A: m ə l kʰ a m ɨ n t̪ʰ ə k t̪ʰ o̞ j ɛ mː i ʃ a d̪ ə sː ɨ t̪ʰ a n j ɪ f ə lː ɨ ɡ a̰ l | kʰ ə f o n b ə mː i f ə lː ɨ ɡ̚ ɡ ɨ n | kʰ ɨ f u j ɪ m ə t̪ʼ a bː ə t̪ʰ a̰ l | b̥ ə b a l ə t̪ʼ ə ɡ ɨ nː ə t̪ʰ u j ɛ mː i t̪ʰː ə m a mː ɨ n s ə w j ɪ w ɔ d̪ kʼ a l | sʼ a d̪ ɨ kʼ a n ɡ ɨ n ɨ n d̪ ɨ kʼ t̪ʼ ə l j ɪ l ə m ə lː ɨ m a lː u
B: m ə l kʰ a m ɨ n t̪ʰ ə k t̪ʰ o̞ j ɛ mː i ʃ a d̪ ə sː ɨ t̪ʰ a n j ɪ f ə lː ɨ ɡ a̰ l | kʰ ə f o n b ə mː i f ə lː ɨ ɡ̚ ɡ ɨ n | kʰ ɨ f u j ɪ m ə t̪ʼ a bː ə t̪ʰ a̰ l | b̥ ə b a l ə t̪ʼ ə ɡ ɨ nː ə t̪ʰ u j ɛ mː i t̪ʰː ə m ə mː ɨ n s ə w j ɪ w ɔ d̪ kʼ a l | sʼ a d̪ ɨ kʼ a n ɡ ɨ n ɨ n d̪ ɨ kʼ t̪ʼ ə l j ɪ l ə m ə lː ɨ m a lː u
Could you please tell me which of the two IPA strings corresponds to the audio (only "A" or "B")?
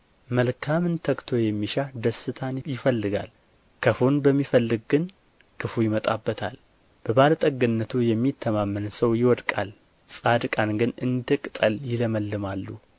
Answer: A